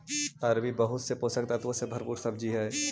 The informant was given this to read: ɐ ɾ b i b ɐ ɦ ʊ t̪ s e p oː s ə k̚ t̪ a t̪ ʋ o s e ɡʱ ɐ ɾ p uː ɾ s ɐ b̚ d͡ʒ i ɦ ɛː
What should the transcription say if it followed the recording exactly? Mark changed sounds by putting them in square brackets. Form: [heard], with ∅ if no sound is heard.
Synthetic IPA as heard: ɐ ɾ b i b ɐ ɦ ʊ t̪ s e p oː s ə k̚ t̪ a t̪ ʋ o s e [bʱ] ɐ ɾ p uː ɾ s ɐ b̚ d͡ʒ i ɦ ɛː